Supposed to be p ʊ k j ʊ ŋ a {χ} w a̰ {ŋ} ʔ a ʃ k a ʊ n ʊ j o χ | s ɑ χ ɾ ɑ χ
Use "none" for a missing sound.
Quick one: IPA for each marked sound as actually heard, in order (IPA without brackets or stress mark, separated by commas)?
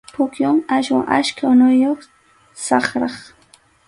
ʃ, ŋ